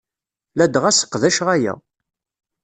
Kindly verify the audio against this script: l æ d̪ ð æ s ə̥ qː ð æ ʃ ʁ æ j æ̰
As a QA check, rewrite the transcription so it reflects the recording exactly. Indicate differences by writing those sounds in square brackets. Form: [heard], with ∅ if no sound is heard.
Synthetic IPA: l æ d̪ [ʁ] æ s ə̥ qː ð æ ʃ ʁ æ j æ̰